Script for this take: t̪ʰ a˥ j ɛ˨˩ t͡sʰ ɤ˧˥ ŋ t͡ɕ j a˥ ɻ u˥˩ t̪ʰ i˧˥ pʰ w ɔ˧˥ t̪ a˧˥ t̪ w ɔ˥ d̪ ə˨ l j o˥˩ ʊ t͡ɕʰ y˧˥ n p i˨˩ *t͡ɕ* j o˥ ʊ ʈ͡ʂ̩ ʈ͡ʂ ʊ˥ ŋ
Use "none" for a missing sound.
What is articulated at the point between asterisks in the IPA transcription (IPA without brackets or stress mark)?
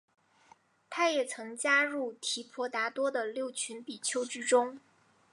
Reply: t͡ɕʰ